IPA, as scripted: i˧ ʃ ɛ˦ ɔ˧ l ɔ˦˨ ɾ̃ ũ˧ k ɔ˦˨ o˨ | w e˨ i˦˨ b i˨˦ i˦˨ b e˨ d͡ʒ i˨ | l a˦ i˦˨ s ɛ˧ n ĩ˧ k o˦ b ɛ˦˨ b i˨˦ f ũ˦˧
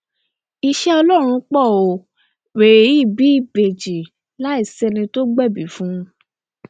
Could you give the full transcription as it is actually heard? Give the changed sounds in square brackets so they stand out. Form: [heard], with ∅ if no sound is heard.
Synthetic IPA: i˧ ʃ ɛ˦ ɔ˧ l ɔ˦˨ ɾ̃ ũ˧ [k͡p] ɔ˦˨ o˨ | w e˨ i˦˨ b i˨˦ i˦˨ b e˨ d͡ʒ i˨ | l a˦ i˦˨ s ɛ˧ n ĩ˧ [t] o˦ [ɡ͡b] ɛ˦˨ b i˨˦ f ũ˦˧